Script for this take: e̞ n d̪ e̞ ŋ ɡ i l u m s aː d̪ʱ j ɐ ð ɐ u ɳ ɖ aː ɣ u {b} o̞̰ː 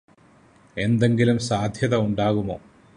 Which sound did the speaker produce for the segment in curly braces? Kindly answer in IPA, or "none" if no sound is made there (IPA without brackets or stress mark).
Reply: m